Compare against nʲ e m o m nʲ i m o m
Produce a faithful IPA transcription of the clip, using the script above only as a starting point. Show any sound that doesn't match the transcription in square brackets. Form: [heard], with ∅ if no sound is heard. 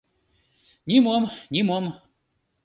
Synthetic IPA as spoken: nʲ [i] m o m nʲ i m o m